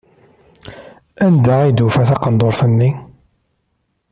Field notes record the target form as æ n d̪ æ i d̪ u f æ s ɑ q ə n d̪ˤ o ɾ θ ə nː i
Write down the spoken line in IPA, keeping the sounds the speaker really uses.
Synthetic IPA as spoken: æ n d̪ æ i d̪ u f æ θ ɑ q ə n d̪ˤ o ɾ θ ə nː i